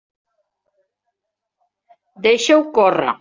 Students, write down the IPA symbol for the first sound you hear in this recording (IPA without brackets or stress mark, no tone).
d̪